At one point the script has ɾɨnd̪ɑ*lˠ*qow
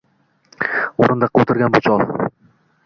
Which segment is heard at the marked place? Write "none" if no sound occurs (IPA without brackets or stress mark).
none